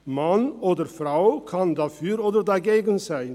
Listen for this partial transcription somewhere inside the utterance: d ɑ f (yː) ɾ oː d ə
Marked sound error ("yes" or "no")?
no